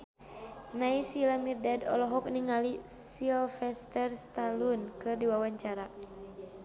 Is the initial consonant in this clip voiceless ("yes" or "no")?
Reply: no